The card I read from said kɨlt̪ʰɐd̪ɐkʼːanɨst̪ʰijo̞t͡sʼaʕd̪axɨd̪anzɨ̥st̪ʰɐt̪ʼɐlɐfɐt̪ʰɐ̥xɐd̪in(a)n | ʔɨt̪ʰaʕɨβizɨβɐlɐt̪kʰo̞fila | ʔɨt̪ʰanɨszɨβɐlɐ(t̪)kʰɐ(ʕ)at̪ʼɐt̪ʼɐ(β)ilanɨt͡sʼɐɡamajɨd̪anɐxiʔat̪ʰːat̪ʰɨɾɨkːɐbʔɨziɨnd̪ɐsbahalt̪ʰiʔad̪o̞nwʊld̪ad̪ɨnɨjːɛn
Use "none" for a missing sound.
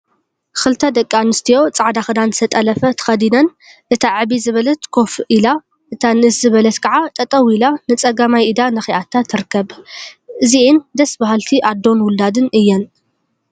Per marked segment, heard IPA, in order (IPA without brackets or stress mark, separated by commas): ɐ, t̪, ʕ, w